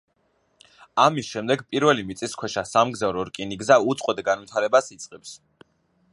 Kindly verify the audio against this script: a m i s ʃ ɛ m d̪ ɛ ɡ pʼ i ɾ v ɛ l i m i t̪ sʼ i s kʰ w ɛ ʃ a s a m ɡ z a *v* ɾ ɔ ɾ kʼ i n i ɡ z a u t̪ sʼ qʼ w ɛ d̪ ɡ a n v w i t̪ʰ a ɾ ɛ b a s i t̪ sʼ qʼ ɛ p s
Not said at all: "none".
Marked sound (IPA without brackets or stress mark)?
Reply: v